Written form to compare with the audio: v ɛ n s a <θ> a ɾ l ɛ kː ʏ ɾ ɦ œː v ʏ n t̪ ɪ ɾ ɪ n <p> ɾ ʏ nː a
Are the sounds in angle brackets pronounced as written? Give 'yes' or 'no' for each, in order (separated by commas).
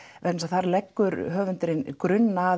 yes, no